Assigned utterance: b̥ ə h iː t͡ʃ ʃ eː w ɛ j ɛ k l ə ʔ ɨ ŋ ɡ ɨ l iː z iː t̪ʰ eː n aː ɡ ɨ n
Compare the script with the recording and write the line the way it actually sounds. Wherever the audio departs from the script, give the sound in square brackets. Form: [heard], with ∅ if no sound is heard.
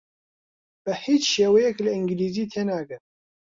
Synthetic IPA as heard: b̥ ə h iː t͡ʃ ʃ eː w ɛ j ɛ k l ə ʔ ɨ ŋ ɡ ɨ l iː z iː t̪ʰ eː n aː ɡ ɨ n